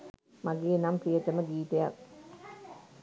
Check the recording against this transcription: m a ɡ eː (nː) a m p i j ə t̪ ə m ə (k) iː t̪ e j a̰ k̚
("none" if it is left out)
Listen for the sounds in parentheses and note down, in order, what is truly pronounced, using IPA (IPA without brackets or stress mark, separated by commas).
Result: n, ɡ